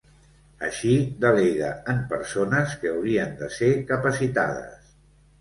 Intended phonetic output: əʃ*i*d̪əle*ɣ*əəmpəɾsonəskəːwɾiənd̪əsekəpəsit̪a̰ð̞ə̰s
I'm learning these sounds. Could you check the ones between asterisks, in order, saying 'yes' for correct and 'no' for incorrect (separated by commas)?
yes, yes